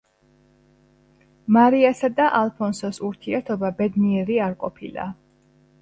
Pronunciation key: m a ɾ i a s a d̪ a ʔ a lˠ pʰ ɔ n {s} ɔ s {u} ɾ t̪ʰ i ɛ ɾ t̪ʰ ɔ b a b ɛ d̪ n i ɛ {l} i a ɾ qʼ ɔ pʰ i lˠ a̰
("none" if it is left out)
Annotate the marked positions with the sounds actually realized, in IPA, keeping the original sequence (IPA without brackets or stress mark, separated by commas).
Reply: s, u, ɾ